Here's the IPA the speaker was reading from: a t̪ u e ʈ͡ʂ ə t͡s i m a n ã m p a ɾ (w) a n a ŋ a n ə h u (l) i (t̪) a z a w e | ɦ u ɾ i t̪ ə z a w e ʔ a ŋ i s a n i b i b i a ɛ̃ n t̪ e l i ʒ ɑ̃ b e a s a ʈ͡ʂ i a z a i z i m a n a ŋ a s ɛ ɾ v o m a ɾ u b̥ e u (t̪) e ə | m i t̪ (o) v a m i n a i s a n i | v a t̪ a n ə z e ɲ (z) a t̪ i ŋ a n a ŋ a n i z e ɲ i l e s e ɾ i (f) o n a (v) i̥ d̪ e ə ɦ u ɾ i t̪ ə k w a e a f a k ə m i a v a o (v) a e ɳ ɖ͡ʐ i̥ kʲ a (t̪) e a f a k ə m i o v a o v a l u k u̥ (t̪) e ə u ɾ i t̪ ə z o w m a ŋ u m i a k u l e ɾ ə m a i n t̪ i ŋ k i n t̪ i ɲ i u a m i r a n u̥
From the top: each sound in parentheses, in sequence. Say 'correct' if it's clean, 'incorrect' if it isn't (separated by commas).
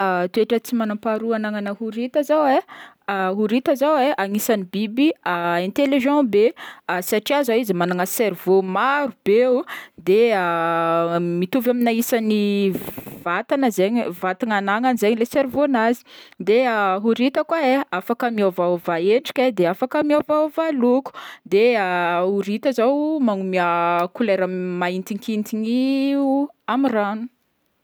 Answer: incorrect, incorrect, correct, incorrect, incorrect, incorrect, incorrect, incorrect, correct, incorrect, incorrect